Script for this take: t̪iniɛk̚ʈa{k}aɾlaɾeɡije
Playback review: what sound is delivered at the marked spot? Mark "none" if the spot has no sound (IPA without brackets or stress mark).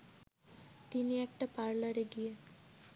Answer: p